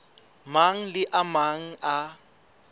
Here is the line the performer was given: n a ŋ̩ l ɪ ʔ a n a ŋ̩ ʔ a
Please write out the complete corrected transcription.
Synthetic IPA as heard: m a ŋ̩ l ɪ ʔ a m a ŋ̩ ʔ a